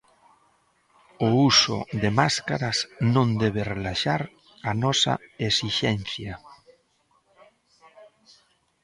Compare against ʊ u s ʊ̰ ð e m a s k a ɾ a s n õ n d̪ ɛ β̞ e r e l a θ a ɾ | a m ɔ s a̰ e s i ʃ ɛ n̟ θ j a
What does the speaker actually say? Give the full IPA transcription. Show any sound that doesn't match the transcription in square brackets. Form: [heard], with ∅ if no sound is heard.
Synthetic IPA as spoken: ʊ u s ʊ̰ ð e m a s k a ɾ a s n õ n d̪ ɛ β̞ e r e l a [ʃ] a ɾ | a [n] ɔ s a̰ e s i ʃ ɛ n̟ θ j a